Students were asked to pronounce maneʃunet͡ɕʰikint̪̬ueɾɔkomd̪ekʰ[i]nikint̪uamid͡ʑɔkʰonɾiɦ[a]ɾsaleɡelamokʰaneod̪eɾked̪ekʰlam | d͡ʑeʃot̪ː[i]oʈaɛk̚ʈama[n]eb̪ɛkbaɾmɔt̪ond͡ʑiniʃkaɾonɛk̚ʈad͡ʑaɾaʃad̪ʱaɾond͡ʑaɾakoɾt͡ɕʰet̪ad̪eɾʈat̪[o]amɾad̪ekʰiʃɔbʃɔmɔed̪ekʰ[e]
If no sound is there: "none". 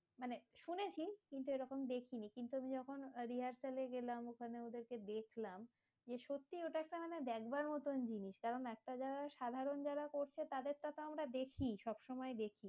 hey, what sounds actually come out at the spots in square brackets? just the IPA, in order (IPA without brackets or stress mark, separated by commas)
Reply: i, a, i, n, o, i